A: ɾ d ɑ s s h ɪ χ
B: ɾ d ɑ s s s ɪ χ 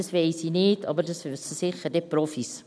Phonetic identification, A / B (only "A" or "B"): B